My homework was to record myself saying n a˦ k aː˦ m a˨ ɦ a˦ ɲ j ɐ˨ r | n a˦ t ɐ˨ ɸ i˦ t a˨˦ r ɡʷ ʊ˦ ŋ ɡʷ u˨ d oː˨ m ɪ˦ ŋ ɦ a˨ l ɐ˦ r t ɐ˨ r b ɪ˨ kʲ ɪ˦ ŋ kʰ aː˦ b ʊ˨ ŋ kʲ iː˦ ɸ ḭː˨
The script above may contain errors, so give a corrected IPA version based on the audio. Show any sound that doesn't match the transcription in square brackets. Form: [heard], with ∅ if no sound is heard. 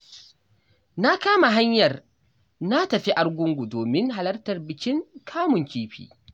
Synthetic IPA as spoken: n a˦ k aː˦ m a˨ ɦ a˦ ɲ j ɐ˨ r | n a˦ t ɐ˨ ɸ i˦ [ʔ] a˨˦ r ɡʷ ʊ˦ ŋ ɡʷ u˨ d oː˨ m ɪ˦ ŋ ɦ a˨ l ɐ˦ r t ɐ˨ r b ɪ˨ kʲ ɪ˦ ŋ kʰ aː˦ [m] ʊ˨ ŋ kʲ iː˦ ɸ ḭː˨